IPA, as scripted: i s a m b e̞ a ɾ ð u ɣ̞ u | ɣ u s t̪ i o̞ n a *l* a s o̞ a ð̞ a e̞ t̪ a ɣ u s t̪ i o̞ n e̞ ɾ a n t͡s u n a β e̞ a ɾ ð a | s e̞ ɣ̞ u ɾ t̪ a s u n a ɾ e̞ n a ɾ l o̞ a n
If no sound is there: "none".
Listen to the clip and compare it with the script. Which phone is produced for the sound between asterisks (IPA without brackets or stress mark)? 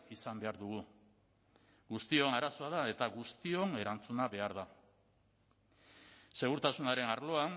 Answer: ɾ